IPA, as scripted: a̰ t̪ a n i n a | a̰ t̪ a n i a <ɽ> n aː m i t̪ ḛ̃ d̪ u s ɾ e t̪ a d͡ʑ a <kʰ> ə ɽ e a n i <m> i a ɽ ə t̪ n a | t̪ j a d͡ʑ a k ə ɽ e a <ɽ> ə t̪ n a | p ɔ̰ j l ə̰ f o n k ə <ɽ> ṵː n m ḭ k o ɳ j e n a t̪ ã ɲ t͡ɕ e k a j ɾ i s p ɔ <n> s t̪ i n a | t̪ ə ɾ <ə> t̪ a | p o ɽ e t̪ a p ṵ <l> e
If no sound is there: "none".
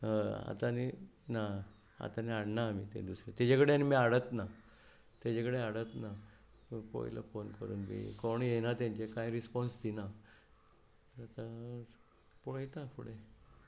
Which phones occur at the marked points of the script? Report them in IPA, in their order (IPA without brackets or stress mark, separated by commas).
ɽ, k, m, ɽ, ɾ, n, a, ɽ